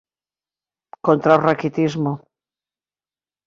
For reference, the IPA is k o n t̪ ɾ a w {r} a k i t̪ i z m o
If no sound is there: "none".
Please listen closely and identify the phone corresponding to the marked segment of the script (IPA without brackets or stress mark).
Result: r